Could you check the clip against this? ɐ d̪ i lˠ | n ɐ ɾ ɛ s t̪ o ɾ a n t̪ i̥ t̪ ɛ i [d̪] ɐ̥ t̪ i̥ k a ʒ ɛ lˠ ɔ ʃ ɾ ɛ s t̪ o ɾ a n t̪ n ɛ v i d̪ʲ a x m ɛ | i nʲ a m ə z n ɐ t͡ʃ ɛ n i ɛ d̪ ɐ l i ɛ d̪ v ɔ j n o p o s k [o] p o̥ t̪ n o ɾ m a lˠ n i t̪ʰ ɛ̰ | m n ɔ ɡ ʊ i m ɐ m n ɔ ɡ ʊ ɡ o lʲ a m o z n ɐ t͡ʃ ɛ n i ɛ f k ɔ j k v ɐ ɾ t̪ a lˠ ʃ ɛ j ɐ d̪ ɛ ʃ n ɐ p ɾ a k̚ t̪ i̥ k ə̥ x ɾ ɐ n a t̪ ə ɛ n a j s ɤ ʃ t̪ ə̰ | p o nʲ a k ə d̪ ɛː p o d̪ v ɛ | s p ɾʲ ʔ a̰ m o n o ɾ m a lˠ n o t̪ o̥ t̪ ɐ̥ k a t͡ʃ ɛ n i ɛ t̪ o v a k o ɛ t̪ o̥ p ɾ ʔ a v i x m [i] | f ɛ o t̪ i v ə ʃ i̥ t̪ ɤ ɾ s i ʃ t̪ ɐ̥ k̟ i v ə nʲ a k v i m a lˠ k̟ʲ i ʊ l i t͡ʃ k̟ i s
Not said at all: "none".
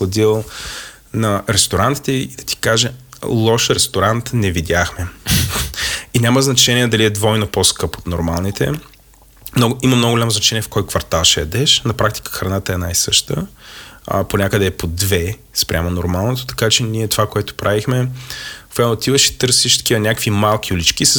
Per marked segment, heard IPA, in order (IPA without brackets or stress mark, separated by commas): d̪, ɤ, ɛ